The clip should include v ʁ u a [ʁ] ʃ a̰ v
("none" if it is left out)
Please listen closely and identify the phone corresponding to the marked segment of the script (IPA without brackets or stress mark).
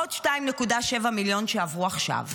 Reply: χ